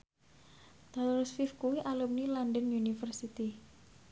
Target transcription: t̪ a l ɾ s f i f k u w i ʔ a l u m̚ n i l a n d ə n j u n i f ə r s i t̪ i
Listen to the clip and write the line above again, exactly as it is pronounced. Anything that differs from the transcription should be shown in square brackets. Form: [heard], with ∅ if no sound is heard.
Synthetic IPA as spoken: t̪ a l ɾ s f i f k u w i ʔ a l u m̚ n i l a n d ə n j u n i f ə r s i t̪ i